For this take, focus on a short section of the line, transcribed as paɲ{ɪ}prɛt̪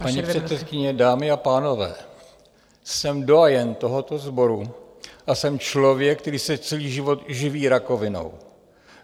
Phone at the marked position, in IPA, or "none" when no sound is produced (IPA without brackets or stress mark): i